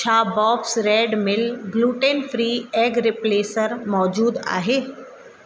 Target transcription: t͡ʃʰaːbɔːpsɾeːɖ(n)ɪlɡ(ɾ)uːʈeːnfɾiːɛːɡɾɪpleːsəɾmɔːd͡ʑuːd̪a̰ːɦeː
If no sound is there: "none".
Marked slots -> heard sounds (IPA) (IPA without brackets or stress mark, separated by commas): m, l